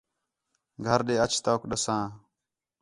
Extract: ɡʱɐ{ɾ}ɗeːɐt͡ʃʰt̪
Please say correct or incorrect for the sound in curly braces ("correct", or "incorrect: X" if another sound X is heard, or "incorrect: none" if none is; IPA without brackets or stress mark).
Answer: correct